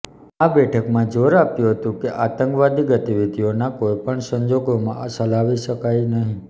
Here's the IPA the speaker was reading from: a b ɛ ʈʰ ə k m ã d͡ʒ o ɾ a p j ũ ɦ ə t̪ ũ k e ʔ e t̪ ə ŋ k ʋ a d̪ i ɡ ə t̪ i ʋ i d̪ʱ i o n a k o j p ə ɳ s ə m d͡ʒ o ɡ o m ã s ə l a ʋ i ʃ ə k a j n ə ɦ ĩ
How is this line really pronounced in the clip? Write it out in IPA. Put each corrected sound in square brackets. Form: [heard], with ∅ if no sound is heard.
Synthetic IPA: a b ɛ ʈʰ ə k m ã d͡ʒ o ɾ a p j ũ ɦ ə t̪ ũ k e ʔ [a] t̪ ə ŋ k ʋ a d̪ i ɡ ə t̪ i ʋ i d̪ʱ i o n a k o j p ə ɳ s ə [ɲ] d͡ʒ o ɡ o m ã s ə l a ʋ i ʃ ə k a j n ə ɦ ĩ